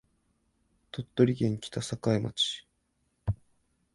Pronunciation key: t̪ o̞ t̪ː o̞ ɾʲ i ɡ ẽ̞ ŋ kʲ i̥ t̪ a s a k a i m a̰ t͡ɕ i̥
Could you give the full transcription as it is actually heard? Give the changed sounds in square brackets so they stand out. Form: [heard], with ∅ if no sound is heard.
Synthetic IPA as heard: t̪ o̞ t̪ː o̞ ɾʲ i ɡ ẽ̞ ŋ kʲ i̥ t̪ a s a k a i m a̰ t͡ɕ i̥